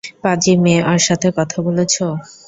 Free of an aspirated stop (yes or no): no